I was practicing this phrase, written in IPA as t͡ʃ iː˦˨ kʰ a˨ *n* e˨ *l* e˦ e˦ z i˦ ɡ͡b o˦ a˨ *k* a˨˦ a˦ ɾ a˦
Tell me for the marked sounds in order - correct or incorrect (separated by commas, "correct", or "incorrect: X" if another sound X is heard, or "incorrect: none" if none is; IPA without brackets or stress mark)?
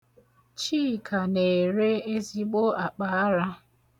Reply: correct, incorrect: ɾ, incorrect: k͡p